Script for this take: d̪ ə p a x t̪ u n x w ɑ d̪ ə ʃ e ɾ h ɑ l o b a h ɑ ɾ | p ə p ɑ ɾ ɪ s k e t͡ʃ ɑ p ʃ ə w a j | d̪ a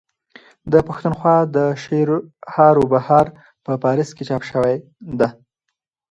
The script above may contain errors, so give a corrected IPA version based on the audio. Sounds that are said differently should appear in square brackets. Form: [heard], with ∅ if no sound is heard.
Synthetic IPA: d̪ ə p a x t̪ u n x w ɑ d̪ ə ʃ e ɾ h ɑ [ɾ] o b a h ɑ ɾ | p ə p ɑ ɾ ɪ s k e t͡ʃ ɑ p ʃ ə w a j | d̪ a